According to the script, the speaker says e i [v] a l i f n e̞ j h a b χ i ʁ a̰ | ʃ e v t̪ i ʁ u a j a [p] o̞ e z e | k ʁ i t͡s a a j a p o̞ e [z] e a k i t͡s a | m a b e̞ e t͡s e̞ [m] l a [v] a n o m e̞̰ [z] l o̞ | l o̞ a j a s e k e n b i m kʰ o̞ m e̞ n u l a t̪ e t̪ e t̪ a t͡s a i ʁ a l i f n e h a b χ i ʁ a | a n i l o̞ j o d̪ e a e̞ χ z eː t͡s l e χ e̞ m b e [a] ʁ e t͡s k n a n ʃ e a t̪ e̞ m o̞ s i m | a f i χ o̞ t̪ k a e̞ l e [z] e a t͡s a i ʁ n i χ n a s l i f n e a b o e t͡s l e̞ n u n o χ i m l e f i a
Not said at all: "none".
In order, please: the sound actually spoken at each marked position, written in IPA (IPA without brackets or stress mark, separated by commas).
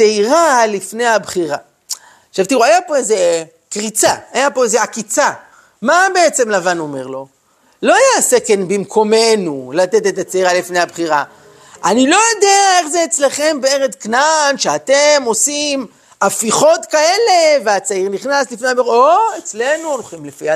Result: ʁ, p, z, m, v, ʁ, e, v